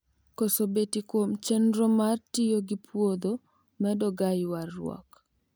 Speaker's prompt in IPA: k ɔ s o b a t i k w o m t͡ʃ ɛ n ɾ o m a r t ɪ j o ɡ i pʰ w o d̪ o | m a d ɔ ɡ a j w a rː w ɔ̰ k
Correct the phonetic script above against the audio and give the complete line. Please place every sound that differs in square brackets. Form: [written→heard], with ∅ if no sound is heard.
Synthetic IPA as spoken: k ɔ s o b [a→e] t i k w o m t͡ʃ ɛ n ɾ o m a r t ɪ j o ɡ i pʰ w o d̪ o | m [a→ɛ] d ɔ ɡ a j w a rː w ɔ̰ k